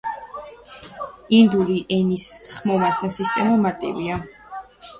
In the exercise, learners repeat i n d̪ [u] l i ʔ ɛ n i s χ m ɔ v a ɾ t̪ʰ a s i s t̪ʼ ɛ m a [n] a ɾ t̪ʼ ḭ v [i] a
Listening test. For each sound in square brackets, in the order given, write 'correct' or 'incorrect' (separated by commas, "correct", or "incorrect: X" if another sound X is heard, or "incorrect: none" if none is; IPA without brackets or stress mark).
correct, incorrect: m, correct